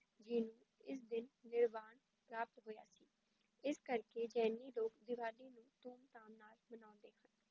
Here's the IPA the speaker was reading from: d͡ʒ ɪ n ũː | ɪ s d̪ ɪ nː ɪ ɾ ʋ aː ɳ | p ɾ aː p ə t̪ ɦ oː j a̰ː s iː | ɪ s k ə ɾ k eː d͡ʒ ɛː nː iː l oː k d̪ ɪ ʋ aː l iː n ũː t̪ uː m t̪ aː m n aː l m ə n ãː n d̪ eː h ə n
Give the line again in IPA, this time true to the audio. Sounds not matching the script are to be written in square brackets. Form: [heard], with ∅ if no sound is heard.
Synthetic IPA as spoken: d͡ʒ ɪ n ũː | ɪ s d̪ ɪ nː ɪ ɾ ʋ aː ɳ | p ɾ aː p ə t̪ ɦ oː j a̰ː s iː | ɪ s k ə ɾ k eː d͡ʒ ɛː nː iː l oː k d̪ ɪ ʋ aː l iː n ũː t̪ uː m t̪ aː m n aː l m ə n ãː n d̪ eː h ə n